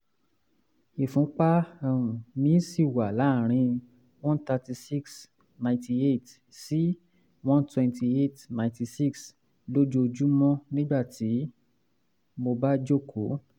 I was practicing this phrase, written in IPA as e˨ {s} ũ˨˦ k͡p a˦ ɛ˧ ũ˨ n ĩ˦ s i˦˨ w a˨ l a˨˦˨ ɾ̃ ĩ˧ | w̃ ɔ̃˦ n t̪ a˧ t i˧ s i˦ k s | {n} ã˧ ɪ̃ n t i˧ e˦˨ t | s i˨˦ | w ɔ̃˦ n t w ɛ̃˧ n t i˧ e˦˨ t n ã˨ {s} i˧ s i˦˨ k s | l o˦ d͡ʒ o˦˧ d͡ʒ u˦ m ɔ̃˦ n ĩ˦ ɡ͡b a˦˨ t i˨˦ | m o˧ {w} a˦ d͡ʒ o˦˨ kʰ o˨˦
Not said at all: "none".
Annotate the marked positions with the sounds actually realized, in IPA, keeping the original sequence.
f, n, t, b

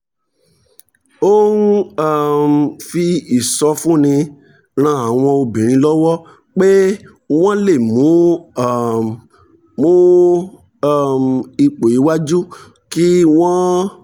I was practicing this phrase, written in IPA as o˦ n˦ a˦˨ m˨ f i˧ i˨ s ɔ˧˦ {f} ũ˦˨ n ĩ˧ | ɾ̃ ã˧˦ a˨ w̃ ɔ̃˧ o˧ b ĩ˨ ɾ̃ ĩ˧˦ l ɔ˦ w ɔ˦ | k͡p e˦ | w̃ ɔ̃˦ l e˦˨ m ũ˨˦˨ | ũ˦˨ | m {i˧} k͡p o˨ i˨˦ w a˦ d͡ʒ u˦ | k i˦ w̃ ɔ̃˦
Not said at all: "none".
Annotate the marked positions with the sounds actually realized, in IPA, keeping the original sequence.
f, i˧

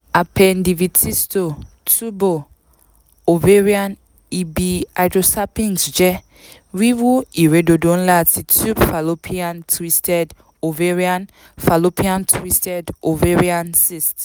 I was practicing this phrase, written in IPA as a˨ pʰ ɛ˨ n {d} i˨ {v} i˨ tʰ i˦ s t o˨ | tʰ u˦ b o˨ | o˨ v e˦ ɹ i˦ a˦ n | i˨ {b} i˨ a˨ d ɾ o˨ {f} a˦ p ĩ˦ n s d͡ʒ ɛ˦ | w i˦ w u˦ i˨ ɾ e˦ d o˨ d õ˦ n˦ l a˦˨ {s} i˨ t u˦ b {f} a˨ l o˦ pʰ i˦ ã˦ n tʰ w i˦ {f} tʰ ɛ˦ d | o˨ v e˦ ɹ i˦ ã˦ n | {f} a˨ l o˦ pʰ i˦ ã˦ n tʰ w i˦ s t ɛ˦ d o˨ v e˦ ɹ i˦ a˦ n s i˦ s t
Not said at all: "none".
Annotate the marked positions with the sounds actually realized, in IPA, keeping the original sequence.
d, v, b, s, t, f, s, f

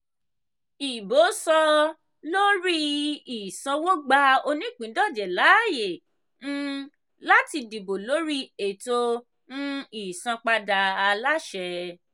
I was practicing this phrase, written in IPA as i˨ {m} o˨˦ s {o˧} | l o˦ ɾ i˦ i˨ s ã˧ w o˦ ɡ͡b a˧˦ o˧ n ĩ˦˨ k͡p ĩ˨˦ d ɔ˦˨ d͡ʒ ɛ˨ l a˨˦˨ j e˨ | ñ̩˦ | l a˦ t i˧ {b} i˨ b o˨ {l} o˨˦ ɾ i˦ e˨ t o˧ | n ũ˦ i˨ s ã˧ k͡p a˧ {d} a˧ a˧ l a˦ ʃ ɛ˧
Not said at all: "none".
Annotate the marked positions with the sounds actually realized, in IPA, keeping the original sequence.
b, ɔ˧, d, l, d

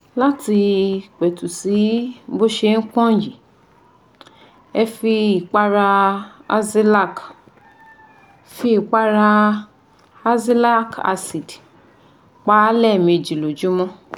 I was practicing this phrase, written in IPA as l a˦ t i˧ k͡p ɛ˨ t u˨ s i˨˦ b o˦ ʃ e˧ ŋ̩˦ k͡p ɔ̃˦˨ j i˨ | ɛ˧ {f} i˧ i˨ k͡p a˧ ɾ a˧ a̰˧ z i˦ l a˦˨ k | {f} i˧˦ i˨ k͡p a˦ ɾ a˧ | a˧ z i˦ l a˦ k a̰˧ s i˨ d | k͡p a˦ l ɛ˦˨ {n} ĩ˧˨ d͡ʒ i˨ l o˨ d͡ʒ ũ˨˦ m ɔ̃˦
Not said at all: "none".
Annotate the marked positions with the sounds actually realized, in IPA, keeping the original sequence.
f, f, m

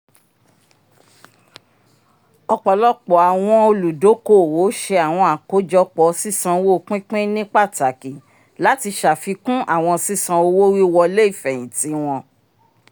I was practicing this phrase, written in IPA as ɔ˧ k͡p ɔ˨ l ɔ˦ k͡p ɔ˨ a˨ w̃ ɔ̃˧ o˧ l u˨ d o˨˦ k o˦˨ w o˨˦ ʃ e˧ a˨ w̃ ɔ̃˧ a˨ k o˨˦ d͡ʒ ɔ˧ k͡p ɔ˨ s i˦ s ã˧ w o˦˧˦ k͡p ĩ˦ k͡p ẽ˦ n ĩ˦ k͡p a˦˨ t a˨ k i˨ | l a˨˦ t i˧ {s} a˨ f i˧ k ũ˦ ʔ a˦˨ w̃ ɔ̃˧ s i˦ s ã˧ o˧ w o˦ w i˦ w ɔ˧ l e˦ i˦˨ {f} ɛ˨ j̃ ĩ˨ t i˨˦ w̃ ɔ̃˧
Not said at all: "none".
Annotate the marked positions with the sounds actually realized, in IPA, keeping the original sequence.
ʃ, f

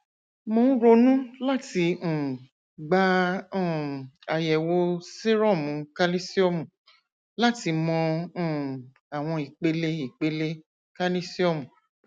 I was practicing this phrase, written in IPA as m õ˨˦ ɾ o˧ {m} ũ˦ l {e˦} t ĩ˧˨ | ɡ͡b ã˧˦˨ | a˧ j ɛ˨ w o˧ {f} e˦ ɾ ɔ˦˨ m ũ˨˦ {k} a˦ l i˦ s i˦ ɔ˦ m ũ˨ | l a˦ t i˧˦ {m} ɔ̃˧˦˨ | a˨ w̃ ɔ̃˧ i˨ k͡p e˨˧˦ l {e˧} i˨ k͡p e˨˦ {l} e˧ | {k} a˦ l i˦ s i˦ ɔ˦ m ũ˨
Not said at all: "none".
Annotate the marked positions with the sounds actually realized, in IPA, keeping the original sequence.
n, a˦, s, k, m, e˧, l, k

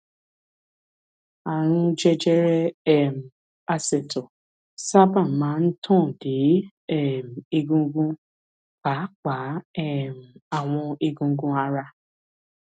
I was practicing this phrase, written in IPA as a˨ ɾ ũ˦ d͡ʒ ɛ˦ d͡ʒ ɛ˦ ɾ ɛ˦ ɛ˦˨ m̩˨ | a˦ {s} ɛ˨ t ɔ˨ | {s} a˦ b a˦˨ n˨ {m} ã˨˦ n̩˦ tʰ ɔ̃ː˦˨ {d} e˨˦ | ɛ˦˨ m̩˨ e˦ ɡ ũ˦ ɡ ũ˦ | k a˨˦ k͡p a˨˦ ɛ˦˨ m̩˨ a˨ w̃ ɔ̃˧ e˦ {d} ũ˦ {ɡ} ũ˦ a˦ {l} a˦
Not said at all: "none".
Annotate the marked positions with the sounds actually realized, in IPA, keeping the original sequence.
s, s, m, d, ɡ, ɡ, ɾ

